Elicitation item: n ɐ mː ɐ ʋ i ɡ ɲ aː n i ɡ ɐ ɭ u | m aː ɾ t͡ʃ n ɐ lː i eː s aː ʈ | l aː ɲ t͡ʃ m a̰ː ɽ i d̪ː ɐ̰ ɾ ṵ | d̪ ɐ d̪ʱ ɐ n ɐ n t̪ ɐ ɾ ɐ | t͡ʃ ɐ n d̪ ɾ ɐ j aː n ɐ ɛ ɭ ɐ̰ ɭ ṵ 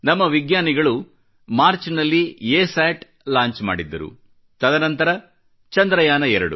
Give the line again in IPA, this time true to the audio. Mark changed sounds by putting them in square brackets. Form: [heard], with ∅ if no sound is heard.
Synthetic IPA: n ɐ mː ɐ ʋ i ɡ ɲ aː n i ɡ ɐ ɭ u | m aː ɾ t͡ʃ n ɐ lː i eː s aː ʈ | l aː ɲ t͡ʃ m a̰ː ɽ i d̪ː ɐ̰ ɾ ṵ | [t̪] ɐ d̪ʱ ɐ n ɐ n t̪ ɐ ɾ ɐ | t͡ʃ ɐ n d̪ ɾ ɐ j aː n ɐ ɛ [ɾ] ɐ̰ [ɽ] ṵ